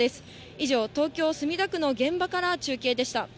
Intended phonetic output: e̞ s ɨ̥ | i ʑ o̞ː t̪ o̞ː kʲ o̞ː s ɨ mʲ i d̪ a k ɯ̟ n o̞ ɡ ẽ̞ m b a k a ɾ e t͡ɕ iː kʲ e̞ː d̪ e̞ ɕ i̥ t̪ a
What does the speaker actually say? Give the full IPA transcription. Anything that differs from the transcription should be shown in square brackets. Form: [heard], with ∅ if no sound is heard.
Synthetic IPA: e̞ s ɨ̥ | i ʑ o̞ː t̪ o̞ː kʲ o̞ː s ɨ mʲ i d̪ a k ɯ̟ n o̞ ɡ ẽ̞ m b a k a ɾ [a] t͡ɕ [ɨː] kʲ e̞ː d̪ e̞ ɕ i̥ t̪ a